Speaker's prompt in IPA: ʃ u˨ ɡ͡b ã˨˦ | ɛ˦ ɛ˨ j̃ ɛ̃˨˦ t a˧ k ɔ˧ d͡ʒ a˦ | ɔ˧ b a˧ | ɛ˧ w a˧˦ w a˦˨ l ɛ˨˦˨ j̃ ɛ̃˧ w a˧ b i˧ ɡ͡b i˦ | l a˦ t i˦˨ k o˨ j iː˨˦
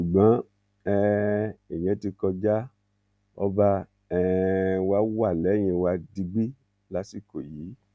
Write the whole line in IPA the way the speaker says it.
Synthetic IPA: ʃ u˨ ɡ͡b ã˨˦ | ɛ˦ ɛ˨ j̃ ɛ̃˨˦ t i˧ k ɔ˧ d͡ʒ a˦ | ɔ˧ b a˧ | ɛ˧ w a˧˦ w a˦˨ l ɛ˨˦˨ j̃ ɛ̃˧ w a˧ d i˧ ɡ͡b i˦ | l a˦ s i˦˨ k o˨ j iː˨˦